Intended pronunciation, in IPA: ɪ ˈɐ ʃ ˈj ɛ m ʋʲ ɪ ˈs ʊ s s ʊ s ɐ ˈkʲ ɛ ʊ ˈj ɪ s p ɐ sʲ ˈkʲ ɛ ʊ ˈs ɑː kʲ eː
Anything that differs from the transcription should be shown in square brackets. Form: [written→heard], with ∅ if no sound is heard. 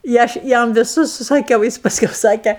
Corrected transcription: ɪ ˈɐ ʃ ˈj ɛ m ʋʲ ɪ ˈs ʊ s s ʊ s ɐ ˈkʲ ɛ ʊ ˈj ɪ s p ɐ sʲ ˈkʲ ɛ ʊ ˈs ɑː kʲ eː